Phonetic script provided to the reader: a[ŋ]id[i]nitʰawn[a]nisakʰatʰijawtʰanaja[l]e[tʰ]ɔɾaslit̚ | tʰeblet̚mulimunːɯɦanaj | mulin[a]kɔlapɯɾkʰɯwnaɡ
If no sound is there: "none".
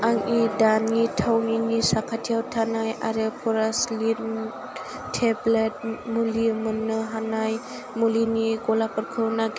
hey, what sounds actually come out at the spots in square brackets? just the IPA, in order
ŋ, a, i, ɾ, pʰ, i

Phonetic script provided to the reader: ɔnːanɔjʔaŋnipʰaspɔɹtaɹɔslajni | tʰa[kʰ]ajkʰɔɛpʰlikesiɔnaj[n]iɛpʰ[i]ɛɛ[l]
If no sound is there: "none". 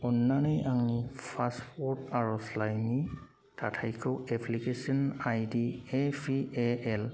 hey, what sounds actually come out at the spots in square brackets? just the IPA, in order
tʰ, d, i, l

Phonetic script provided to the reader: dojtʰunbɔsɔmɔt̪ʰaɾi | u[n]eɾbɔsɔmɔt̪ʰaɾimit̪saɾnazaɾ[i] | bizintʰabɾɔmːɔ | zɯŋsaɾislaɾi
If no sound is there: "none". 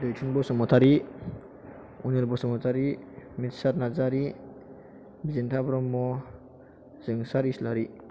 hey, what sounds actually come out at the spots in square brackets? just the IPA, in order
n, i

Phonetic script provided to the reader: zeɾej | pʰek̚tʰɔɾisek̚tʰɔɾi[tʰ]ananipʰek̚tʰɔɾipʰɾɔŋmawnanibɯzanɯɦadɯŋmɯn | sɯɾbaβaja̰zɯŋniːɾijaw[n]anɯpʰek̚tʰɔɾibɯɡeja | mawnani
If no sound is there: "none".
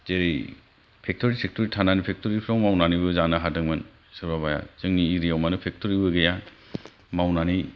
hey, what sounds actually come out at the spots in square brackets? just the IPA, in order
tʰ, m

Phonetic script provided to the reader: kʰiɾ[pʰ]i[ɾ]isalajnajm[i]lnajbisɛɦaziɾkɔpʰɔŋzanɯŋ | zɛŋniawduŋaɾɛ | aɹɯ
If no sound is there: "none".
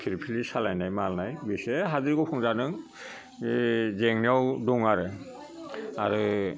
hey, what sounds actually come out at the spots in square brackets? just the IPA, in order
pʰ, l, a

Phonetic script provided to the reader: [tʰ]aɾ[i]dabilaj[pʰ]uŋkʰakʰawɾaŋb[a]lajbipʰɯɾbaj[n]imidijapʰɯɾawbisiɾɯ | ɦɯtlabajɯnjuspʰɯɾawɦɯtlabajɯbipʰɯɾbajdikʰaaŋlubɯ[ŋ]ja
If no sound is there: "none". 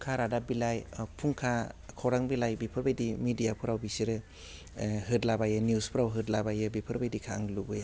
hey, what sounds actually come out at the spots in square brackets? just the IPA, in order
kʰ, a, pʰ, i, d, none

